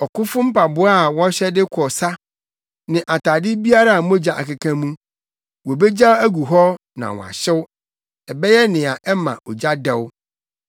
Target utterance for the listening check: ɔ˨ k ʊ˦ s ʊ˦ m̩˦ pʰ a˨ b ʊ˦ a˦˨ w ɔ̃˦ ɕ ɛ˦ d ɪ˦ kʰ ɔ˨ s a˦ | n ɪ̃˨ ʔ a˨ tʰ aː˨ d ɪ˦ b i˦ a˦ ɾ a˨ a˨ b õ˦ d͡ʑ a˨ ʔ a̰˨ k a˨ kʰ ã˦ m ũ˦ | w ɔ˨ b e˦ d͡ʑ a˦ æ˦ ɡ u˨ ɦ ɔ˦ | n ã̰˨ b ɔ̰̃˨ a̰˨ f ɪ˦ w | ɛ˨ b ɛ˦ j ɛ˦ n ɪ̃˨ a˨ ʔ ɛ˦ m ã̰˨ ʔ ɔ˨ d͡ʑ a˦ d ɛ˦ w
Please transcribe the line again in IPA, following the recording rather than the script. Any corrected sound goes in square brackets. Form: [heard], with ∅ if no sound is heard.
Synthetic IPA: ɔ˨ k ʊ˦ [f] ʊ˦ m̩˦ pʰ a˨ b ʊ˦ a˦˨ w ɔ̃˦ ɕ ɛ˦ d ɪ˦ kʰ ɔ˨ s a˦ | n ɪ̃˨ ʔ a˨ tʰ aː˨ d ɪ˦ b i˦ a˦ ɾ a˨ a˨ [m] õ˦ d͡ʑ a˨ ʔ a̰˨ k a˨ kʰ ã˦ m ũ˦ | w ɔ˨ b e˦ d͡ʑ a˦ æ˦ ɡ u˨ ɦ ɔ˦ | n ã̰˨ [w] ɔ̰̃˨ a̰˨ [ɕ] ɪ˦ w | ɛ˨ b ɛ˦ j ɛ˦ n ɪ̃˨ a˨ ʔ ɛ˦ m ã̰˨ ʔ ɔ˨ d͡ʑ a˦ d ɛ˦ w